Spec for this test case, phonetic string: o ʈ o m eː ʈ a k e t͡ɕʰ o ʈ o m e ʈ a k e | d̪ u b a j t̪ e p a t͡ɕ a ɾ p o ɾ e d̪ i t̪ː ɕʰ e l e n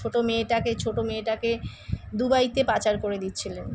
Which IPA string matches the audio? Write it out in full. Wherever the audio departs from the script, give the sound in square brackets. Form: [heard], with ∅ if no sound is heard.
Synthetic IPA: o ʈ o m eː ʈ a k e t͡ɕʰ o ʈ o m e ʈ a k e | d̪ u b a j t̪ e p a t͡ɕ a ɾ [k] o ɾ e d̪ i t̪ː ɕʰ [i] l e n